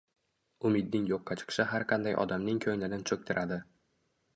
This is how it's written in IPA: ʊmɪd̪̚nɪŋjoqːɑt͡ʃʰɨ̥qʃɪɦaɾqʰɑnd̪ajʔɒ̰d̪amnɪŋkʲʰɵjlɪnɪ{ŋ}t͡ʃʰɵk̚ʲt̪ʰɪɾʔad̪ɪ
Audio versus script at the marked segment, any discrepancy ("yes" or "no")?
yes